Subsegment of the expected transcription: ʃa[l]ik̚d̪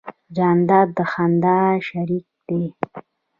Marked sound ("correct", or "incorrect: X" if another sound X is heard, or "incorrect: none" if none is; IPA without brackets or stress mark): incorrect: ɾ